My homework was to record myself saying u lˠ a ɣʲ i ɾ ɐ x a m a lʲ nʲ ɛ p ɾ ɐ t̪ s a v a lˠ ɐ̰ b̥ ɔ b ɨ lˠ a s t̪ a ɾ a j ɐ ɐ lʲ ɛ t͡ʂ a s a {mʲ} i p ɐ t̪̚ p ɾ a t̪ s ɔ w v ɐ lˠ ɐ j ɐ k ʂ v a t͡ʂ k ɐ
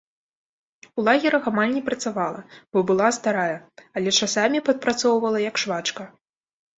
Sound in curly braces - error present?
no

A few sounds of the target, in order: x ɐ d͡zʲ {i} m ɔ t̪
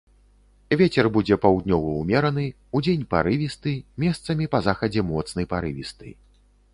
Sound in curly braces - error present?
yes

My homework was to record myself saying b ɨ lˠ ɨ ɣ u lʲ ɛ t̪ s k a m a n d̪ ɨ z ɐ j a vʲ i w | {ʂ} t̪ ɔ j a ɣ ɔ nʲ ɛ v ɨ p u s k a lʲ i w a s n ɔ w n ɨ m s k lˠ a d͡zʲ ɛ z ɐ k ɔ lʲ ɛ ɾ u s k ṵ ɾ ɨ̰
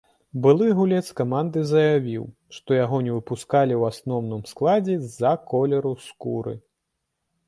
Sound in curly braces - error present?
no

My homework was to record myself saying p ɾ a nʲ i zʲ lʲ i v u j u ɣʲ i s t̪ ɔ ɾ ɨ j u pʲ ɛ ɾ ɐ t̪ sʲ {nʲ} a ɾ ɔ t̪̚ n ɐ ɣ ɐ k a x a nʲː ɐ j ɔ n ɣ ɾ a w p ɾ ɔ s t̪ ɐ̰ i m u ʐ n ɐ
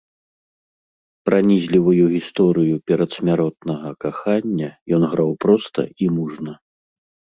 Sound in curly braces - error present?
yes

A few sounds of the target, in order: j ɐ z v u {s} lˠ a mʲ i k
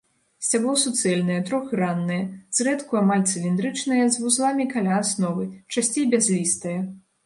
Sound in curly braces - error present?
yes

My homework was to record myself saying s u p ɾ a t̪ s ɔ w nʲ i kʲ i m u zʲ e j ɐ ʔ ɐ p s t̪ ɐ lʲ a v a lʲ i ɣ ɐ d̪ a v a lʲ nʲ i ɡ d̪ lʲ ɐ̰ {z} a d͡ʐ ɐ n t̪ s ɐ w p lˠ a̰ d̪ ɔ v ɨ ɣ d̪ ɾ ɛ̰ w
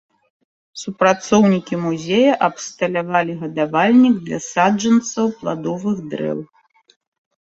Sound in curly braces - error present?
yes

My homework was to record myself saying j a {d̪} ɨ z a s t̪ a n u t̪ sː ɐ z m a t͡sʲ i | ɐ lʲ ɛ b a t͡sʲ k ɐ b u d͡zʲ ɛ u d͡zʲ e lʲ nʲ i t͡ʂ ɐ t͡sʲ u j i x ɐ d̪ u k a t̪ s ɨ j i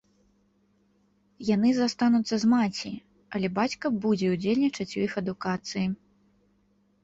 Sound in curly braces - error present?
yes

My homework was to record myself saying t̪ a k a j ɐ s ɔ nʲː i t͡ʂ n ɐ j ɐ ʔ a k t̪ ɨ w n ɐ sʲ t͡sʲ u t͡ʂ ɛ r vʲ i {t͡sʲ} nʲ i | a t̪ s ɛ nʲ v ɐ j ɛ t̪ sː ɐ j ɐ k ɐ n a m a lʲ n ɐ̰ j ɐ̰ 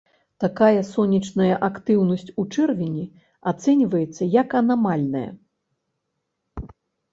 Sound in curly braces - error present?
yes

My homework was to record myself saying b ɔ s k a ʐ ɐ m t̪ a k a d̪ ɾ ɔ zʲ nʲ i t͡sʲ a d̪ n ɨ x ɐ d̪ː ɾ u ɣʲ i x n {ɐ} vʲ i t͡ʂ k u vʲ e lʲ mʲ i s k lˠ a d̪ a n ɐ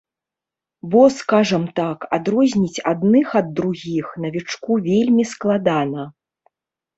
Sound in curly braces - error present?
no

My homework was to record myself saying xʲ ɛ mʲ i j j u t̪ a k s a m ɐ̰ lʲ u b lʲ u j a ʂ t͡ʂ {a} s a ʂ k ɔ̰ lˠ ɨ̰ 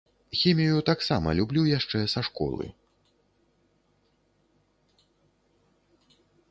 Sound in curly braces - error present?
yes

